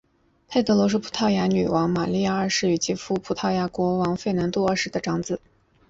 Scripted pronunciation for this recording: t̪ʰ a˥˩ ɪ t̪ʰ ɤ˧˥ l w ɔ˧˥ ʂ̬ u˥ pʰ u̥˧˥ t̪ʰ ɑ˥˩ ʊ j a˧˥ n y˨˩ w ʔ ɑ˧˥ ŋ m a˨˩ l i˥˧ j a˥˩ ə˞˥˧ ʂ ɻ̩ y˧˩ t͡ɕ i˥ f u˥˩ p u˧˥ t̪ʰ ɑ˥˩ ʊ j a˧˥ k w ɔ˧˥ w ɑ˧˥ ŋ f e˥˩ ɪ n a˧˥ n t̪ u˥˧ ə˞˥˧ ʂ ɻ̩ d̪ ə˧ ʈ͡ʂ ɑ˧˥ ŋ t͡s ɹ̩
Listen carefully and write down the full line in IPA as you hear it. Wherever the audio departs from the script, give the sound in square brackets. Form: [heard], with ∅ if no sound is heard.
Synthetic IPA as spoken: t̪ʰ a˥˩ ɪ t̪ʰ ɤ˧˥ l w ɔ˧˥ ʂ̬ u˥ pʰ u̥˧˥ t̪ʰ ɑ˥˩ ʊ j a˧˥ n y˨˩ w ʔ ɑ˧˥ ŋ m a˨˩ l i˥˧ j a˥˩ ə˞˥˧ ʂ ɻ̩ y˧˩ t͡ɕ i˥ f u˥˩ [pʰ] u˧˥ t̪ʰ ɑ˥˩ ʊ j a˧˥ k w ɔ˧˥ w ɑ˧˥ ŋ f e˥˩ ɪ n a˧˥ n t̪ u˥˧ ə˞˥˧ ʂ ɻ̩ d̪ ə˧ ʈ͡ʂ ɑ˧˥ ŋ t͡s ɹ̩